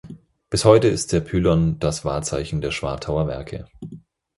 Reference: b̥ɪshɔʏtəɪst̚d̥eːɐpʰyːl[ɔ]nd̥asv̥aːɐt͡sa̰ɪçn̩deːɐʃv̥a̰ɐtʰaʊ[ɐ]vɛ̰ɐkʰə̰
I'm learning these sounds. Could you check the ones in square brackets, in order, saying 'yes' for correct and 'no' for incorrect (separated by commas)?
yes, yes